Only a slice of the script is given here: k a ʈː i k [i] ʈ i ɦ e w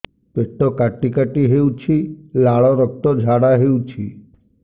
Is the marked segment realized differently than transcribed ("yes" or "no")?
yes